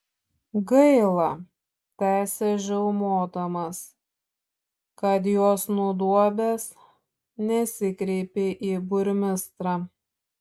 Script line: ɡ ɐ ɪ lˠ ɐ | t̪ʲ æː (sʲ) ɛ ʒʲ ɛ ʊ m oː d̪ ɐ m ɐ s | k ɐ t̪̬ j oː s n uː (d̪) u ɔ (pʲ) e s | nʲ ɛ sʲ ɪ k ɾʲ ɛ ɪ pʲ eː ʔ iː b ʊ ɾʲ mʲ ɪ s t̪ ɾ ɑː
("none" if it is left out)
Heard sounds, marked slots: sʲ, d̪, bʲ

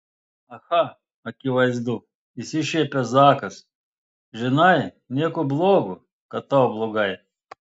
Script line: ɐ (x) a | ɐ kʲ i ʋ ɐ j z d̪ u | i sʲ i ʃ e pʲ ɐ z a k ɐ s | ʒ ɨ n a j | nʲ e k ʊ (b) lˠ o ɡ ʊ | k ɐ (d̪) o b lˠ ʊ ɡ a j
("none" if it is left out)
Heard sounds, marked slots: x, b, t̪

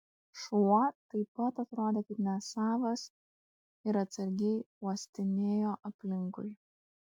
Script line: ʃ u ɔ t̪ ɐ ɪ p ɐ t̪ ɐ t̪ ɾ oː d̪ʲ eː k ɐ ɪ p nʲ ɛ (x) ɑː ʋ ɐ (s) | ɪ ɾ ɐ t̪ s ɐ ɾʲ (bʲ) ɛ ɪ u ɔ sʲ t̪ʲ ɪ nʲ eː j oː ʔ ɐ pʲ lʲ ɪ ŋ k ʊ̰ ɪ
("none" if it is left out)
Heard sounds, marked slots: s, s, ɡʲ

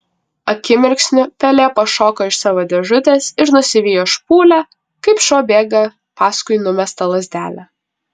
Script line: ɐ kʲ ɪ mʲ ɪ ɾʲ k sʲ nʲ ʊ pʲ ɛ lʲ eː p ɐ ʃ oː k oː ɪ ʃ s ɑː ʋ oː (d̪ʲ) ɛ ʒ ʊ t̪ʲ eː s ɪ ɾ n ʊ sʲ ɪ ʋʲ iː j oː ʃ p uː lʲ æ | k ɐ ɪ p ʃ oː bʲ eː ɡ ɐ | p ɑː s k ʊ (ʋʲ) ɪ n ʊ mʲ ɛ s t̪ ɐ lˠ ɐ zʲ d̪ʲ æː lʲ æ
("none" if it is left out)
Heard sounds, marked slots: d̪ʲ, none

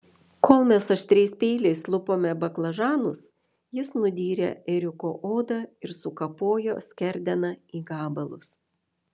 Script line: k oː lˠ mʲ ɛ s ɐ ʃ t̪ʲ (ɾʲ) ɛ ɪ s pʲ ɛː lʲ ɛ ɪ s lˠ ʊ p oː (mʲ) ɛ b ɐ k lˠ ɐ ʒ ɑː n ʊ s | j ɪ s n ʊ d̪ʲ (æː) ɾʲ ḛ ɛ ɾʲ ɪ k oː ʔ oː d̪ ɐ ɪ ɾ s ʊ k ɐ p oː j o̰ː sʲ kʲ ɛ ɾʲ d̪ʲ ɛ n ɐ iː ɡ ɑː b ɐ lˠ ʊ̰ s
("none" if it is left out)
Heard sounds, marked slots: ɾʲ, mʲ, iː

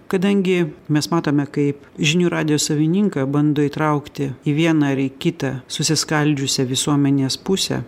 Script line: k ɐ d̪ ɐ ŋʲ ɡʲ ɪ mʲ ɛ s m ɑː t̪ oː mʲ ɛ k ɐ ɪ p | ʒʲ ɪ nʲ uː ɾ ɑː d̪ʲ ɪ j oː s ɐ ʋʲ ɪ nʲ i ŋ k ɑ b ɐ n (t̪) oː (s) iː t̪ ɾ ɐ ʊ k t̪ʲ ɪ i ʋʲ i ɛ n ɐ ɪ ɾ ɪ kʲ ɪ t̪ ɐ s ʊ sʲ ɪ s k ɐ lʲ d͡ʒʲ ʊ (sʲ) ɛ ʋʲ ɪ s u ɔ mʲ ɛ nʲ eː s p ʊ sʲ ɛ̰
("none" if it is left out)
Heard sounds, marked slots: d̪, none, sʲ

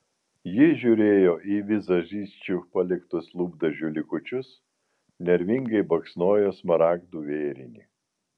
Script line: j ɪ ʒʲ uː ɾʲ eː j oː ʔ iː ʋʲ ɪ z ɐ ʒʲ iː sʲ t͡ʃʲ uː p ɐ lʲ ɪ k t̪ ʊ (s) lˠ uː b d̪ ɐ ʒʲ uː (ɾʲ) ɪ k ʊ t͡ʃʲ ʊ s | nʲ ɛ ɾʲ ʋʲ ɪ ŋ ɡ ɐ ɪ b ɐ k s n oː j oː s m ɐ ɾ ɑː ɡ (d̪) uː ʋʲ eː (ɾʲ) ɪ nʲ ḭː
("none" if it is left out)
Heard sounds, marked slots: s, lʲ, d̪, ɾʲ

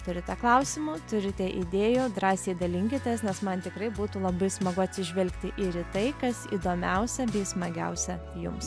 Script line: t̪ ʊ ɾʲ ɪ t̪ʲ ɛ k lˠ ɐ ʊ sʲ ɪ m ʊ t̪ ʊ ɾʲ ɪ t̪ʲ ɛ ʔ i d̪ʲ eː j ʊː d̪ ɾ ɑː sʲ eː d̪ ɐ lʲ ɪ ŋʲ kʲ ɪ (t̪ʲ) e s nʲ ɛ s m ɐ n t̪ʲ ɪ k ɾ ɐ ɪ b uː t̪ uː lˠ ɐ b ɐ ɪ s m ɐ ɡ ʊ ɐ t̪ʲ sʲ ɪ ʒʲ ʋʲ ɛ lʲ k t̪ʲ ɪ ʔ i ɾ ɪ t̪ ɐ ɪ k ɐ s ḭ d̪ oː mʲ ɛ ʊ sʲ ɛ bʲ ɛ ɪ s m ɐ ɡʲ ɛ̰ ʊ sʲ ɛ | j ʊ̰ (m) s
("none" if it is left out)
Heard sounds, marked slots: t̪ʲ, m

